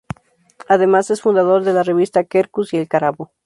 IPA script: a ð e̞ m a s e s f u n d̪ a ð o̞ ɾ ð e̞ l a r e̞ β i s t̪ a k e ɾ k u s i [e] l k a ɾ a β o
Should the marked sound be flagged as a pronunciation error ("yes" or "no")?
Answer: no